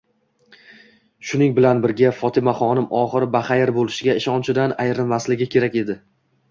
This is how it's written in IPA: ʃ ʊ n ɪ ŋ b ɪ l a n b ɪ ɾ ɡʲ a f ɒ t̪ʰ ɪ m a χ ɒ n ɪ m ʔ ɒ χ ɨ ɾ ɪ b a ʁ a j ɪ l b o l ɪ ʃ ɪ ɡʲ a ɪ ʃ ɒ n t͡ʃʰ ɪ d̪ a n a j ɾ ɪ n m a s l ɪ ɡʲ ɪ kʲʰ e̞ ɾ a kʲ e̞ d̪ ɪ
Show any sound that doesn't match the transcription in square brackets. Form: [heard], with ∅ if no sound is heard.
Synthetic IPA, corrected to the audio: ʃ ʊ n ɪ ŋ b ɪ l a n b ɪ ɾ ɡʲ a f ɒ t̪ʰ ɪ m a χ ɒ n ɪ m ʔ ɒ χ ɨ ɾ ɪ b a [χ] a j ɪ [ɾ] b o l ɪ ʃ ɪ ɡʲ a ɪ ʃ ɒ n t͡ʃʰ ɪ d̪ a n a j ɾ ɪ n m a s l ɪ ɡʲ ɪ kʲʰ e̞ ɾ a kʲ e̞ d̪ ɪ